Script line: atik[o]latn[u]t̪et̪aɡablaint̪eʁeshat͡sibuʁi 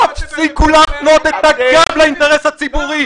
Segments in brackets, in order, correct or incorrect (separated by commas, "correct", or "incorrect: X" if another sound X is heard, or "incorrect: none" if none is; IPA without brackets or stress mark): incorrect: u, incorrect: o